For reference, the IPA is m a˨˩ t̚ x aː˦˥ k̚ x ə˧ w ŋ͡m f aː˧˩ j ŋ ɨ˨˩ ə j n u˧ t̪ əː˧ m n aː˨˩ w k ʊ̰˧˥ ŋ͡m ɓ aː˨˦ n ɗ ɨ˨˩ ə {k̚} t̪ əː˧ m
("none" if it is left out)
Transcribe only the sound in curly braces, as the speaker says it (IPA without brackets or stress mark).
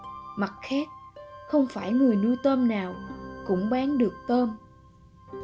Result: k̚